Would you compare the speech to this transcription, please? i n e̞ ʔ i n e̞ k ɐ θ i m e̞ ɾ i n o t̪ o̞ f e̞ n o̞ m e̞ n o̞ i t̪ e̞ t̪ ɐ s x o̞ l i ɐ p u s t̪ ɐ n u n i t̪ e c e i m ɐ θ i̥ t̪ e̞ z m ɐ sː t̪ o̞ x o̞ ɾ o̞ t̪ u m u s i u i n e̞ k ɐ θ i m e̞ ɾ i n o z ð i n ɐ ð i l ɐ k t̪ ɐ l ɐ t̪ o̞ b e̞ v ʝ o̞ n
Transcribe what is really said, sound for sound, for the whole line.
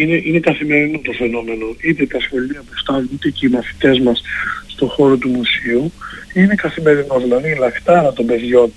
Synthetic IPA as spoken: i n e̞ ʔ i n e̞ k ɐ θ i m e̞ ɾ i n o t̪ o̞ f e̞ n o̞ m e̞ n o̞ i t̪ e̞ t̪ ɐ s x o̞ l i ɐ p u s t̪ ɐ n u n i t̪ e c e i m ɐ θ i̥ t̪ e̞ z m ɐ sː t̪ o̞ x o̞ ɾ o̞ t̪ u m u s i u i n e̞ k ɐ θ i m e̞ ɾ i n o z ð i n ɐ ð i l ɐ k t̪ ɐ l ɐ t̪ o̞ b e̞ ð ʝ o̞ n